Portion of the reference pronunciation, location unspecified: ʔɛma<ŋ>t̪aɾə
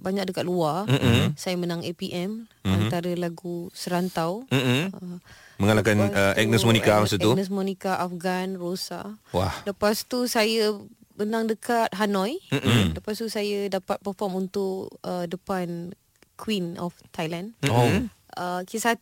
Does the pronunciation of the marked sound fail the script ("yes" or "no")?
yes